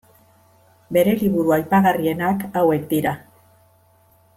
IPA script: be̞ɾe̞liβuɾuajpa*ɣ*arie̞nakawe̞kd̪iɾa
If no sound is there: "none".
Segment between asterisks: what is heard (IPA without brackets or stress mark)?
ɣ